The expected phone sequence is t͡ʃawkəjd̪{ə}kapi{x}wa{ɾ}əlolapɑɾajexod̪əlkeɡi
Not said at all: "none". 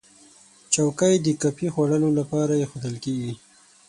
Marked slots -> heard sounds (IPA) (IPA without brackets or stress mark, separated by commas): ə, x, ɽ